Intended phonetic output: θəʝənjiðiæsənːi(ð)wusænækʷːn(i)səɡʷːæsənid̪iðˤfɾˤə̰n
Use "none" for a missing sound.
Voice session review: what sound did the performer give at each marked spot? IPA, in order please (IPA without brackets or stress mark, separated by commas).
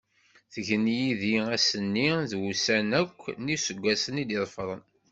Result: ð, i